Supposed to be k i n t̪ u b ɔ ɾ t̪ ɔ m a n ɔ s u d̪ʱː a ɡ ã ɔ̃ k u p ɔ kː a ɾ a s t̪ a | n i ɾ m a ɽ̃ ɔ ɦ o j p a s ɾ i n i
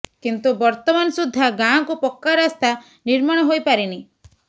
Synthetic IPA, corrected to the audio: k i n t̪ u b ɔ ɾ t̪ ɔ m a n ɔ s u d̪ʱː a ɡ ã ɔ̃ k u p ɔ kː a ɾ a s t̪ a | n i ɾ m a ɽ̃ ɔ ɦ o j p a ɾ i n i